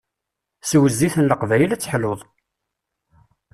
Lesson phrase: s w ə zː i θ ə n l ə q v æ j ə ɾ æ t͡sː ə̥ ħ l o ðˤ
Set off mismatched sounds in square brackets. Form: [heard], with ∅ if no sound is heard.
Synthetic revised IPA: s w ə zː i θ ə n l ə q v æ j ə [l] æ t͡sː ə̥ ħ l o ðˤ